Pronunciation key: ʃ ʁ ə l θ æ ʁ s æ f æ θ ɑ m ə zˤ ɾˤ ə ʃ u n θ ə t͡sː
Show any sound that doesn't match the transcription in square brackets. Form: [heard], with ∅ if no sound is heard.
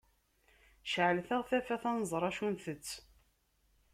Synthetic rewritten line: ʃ [ʕ] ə l θ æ ʁ [θ] æ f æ θ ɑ [n] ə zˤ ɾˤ [ɑ] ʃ u n θ ə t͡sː

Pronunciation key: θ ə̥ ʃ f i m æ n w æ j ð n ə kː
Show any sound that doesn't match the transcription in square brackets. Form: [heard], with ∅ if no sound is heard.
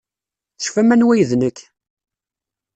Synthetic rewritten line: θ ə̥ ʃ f [æ] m æ n w æ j ð n ə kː

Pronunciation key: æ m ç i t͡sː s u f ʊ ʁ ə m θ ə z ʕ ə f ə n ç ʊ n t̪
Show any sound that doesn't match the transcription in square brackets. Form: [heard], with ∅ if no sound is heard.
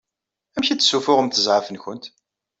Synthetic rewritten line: æ m ç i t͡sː s u f ʊ ʁ ə m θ ə z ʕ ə f ə n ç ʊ n t̪

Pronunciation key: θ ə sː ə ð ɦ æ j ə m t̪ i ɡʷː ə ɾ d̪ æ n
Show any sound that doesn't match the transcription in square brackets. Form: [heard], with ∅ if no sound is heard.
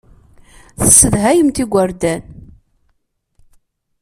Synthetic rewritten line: θ ə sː ə ð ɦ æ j ə m t̪ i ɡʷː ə ɾ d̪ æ n

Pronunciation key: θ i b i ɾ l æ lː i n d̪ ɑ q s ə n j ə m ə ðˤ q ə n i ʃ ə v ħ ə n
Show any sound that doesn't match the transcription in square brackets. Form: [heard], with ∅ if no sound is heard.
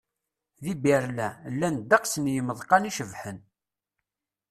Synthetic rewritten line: [ð] i b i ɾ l æ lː [æ] n d̪ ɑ q s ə n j ə m ə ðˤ q [ɑ] n i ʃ ə v ħ ə n

